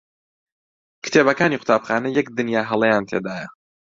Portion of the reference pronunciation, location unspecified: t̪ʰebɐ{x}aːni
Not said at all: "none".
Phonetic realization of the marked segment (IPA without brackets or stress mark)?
k